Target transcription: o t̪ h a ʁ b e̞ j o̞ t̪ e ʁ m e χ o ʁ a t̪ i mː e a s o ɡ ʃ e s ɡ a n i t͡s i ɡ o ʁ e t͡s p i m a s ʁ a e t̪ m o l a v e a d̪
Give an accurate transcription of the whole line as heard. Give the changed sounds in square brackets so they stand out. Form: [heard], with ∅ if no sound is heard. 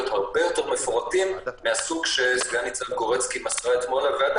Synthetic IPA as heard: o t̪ h a ʁ b e̞ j o̞ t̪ e ʁ m e [f] o ʁ a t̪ i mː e a s [u] ɡ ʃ e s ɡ a n i t͡s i ɡ o ʁ e t͡s [k] i m a s ʁ a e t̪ m o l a v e a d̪